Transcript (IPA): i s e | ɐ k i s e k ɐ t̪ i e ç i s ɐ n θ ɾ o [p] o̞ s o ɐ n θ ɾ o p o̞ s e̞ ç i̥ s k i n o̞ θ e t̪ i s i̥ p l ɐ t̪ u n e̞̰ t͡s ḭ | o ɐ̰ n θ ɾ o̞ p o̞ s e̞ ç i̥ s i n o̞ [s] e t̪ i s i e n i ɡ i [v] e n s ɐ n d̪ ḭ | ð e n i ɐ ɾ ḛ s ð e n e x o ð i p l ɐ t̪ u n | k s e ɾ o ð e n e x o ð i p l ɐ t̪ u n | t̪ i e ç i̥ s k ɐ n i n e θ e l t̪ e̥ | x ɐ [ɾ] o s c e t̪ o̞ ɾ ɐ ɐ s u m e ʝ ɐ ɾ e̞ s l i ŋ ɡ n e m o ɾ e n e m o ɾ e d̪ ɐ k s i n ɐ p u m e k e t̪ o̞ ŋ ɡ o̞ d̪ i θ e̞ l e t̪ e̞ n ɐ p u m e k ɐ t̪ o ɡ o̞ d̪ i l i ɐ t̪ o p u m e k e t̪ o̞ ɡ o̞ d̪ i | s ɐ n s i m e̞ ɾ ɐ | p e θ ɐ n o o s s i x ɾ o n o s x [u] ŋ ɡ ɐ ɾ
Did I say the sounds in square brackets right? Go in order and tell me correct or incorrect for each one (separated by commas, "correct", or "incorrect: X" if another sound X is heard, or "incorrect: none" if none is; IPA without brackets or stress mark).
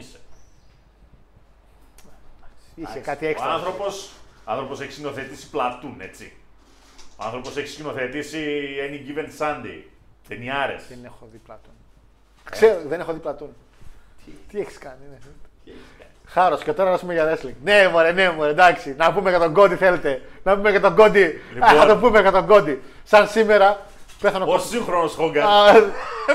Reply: correct, incorrect: θ, correct, correct, incorrect: o